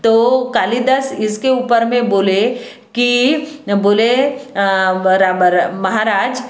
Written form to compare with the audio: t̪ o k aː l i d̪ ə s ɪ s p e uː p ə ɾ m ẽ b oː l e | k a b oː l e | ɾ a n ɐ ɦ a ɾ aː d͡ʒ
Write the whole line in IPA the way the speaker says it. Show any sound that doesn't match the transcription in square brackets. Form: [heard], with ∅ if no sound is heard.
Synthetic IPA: t̪ o k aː l i d̪ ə s ɪ s [k] e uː p ə ɾ m ẽ b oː l e | k [i] b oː l e | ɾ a [m] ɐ ɦ a ɾ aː d͡ʒ